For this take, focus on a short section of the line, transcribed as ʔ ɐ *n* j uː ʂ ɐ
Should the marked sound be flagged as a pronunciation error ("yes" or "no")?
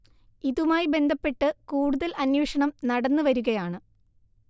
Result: no